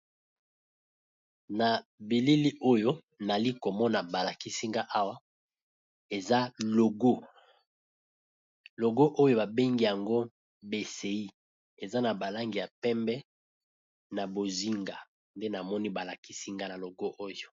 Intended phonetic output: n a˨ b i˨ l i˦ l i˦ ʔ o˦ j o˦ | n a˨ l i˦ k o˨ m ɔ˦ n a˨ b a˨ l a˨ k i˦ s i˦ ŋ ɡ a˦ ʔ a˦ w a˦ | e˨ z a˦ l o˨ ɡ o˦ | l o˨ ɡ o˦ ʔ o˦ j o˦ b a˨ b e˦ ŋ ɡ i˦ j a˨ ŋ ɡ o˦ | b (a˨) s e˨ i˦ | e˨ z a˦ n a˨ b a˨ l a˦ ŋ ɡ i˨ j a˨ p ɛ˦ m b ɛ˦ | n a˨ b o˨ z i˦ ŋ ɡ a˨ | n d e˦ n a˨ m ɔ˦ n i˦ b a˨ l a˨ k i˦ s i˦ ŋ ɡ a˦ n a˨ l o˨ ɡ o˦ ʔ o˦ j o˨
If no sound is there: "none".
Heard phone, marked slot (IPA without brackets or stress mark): e˨